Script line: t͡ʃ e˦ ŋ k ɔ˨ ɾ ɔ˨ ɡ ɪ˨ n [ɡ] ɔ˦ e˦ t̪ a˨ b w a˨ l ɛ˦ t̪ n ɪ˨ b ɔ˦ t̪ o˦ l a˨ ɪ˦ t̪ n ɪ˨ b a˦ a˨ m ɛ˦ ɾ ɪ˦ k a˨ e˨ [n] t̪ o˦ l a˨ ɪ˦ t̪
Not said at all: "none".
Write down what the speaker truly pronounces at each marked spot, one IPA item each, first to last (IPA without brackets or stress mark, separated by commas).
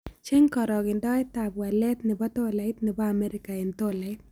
d, n